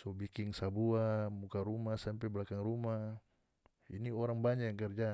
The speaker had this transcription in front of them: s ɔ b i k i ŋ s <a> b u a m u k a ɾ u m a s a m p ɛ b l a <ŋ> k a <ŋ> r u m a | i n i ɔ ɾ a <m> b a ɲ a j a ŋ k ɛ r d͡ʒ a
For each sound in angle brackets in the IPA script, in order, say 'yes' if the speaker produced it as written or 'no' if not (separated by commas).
yes, no, yes, no